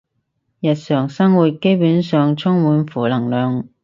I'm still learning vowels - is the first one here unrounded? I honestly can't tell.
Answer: yes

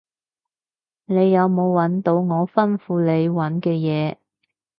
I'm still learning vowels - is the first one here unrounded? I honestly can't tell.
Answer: yes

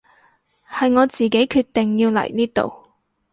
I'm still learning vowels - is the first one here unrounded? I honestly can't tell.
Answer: yes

